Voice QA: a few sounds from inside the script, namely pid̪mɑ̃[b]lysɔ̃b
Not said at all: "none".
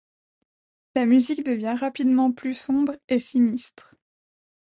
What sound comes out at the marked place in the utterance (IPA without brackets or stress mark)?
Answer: p